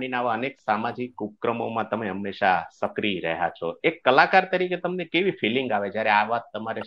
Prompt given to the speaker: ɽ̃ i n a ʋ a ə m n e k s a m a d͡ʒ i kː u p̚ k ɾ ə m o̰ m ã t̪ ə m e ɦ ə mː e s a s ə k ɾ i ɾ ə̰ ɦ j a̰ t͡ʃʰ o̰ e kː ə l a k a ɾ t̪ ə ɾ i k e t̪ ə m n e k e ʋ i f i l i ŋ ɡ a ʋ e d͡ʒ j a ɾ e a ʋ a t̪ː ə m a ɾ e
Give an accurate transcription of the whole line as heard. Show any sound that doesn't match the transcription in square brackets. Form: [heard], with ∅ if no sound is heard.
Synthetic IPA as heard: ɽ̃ i n a ʋ a ə [∅] n e k s a m a d͡ʒ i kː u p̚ k ɾ ə m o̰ m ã t̪ ə m e ɦ ə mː e [ʃ] a s ə k ɾ i ɾ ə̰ ɦ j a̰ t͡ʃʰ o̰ e kː ə l a k a ɾ t̪ ə ɾ i k e t̪ ə m n e k e ʋ i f i l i ŋ ɡ a ʋ e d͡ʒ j a ɾ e a ʋ a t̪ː ə m a ɾ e